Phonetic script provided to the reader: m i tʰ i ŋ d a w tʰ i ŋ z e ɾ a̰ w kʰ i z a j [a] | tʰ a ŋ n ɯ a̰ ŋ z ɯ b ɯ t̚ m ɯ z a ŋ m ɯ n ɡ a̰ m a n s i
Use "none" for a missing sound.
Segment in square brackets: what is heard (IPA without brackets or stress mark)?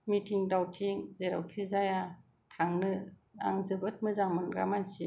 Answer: a